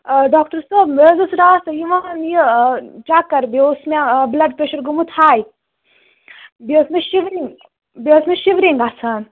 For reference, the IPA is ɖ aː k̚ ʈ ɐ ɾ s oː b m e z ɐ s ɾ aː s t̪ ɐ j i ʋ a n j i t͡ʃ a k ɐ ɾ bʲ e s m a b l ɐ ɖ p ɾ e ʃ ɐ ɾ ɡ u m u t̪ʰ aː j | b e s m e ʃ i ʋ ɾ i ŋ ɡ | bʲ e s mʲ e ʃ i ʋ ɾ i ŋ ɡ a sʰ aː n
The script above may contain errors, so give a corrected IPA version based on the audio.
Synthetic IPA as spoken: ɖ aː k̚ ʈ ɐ ɾ s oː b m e z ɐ s ɾ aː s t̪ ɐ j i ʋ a n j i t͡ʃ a k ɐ ɾ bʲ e s m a b l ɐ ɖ p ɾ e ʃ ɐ ɾ ɡ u m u t̪ʰ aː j | b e s m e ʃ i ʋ ɾ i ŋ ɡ | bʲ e s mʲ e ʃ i ʋ ɾ i ŋ ɡ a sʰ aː n